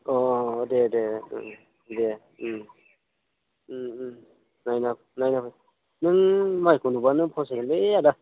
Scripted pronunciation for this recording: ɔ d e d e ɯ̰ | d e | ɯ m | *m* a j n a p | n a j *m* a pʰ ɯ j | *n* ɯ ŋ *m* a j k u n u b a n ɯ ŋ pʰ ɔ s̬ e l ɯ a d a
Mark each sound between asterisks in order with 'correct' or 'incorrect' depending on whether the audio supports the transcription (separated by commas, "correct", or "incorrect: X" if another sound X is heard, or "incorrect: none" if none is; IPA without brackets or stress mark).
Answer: incorrect: n, incorrect: n, correct, correct